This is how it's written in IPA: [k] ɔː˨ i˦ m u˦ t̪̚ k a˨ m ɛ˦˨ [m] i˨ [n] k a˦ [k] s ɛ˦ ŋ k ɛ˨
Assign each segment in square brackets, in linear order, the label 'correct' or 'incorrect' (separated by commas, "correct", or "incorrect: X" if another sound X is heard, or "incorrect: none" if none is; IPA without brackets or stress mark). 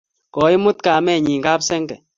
correct, incorrect: ɲ, incorrect: ŋ, incorrect: p